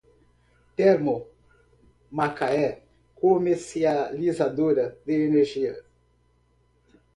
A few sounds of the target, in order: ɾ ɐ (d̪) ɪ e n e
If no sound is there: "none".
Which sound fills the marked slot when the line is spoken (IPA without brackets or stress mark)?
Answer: d̪